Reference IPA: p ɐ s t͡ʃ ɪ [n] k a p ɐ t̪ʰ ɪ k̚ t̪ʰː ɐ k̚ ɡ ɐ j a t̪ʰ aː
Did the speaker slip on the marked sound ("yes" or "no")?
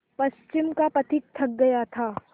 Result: yes